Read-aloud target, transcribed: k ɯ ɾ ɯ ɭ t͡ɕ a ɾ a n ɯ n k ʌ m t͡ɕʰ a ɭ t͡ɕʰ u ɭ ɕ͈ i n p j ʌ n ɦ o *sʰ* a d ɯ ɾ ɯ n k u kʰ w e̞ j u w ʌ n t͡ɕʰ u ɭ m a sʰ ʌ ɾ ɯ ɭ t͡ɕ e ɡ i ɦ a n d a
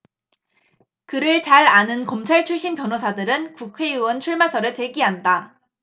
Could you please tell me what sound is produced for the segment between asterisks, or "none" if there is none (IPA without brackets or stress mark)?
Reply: sʰ